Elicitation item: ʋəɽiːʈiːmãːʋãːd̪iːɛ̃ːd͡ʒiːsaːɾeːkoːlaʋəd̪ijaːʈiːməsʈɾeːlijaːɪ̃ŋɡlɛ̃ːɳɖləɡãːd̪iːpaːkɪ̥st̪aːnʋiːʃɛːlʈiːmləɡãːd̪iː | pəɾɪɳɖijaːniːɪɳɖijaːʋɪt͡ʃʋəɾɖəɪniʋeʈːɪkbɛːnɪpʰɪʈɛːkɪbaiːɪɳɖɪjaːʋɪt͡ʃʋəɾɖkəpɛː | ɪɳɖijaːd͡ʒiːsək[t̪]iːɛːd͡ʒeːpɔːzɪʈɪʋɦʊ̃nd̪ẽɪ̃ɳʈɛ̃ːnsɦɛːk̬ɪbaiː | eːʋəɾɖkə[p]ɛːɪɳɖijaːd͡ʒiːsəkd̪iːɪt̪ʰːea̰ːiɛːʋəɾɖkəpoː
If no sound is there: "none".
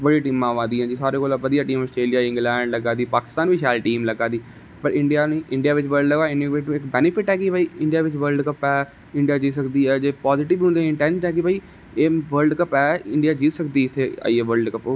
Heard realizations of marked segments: d̪, p

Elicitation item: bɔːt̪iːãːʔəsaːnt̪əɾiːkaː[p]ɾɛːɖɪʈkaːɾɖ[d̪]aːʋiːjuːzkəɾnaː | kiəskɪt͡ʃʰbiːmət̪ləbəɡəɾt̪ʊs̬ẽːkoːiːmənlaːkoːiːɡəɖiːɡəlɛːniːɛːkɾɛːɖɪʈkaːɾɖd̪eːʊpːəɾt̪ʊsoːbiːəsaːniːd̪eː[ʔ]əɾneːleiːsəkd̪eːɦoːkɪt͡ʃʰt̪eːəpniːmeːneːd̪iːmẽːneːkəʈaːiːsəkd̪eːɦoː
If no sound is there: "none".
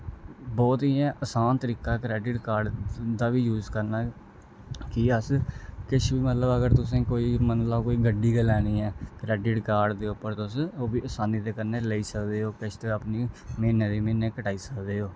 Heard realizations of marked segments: k, d̪, k

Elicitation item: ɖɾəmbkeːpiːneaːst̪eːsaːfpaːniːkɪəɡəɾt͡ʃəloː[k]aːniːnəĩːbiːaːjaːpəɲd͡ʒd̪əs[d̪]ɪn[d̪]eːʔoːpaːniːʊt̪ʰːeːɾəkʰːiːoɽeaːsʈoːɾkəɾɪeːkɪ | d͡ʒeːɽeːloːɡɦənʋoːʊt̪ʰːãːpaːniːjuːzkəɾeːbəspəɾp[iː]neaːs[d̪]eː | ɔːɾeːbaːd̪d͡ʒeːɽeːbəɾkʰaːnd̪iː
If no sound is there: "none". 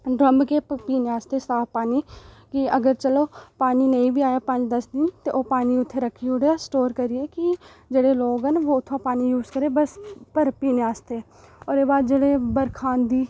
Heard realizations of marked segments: p, d̪, t̪, iː, t̪

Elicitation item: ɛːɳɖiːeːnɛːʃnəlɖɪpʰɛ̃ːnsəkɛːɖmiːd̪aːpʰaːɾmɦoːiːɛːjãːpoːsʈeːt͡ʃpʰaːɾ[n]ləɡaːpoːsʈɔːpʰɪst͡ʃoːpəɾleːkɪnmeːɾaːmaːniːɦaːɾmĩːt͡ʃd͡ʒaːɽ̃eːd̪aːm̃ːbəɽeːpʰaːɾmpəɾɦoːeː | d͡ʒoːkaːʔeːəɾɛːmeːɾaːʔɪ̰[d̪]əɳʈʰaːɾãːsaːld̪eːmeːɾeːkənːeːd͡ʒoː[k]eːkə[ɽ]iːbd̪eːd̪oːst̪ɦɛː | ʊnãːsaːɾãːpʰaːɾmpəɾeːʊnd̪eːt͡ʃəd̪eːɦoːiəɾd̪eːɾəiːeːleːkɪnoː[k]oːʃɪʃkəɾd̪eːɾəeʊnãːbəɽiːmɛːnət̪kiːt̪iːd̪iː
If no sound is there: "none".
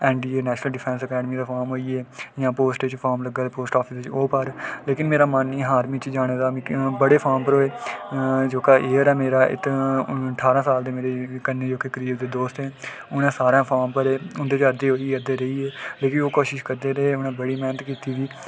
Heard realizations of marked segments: m, t̪, k, ɾ, k

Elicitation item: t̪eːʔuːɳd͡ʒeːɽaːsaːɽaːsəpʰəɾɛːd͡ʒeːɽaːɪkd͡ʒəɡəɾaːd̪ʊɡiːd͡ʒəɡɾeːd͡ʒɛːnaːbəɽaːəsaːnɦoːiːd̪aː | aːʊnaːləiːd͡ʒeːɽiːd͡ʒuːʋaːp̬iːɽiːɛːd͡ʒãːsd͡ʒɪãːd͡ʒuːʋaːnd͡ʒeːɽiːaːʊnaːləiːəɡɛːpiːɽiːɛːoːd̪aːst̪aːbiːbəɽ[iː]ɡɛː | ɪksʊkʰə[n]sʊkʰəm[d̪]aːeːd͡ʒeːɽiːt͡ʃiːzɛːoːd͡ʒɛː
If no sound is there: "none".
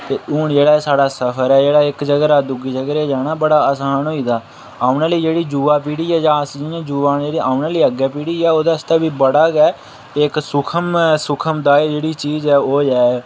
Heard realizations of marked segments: aː, m, d̪

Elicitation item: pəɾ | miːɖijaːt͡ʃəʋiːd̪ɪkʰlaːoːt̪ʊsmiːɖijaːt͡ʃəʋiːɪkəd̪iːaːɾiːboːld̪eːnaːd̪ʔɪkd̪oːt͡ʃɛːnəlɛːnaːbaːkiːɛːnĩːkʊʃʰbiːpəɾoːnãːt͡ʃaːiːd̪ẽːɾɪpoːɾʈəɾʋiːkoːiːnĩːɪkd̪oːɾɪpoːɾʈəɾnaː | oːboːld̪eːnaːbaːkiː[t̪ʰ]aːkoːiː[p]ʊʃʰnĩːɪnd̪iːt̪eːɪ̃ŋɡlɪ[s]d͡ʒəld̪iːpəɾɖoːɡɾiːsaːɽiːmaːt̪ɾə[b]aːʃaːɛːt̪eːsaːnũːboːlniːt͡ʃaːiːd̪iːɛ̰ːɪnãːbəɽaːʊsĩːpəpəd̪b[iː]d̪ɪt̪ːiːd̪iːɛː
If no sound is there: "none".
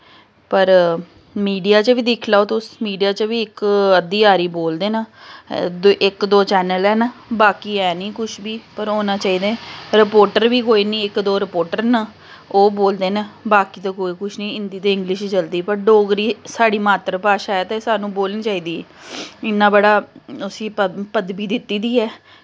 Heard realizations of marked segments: t̪, k, ʃ, p, iː

